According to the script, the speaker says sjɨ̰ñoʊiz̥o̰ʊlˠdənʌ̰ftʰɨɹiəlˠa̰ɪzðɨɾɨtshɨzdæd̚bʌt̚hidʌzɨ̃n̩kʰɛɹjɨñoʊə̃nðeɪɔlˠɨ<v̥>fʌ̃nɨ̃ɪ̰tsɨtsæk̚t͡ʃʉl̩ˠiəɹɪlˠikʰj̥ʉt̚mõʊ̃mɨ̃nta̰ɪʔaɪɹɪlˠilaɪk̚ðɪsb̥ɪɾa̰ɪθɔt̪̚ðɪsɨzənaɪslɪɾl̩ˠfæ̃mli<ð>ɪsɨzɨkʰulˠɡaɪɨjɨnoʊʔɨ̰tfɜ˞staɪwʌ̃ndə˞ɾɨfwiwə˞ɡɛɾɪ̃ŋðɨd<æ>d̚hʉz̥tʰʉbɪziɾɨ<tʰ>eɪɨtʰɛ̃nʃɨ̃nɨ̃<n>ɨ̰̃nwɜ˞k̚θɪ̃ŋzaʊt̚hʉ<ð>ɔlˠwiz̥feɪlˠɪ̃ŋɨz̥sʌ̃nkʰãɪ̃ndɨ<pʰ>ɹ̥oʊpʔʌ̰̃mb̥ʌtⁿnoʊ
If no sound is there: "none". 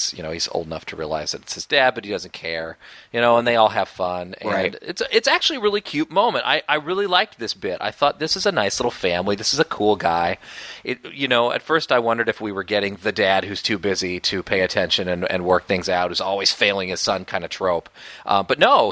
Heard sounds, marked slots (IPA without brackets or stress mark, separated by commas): v̥, ð, æ, pʰ, n, z, tʰ